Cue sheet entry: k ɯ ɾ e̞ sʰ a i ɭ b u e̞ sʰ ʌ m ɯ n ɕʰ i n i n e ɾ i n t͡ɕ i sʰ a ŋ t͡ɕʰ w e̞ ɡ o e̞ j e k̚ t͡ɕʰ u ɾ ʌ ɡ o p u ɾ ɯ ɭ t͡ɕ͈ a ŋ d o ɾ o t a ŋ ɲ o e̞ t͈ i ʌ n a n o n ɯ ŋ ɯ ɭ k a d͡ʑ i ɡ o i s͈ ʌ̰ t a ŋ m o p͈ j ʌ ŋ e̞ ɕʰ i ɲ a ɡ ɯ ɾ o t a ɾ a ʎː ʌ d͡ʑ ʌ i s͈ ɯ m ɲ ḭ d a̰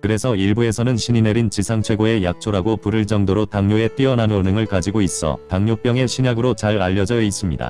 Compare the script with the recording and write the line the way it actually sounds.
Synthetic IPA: k ɯ ɾ e̞ sʰ ʌ i ɭ b u e̞ sʰ ʌ n ɯ n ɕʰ i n i n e ɾ i n t͡ɕ i sʰ a ŋ t͡ɕʰ w e̞ ɡ o e̞ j a k̚ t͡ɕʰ o ɾ a ɡ o p u ɾ ɯ ɭ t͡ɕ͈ ʌ ŋ d o ɾ o t a ŋ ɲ o e̞ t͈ i ʌ n a n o n ɯ ŋ ɯ ɭ k a d͡ʑ i ɡ o i s͈ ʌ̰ t a ŋ ɲ o p͈ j ʌ ŋ e̞ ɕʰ i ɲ a ɡ ɯ ɾ o t͡ɕ a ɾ a ʎː ʌ d͡ʑ ʌ i s͈ ɯ m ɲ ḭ d a̰